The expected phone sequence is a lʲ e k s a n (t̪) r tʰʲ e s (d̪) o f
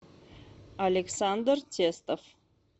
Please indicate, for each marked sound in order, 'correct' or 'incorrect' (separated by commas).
incorrect, incorrect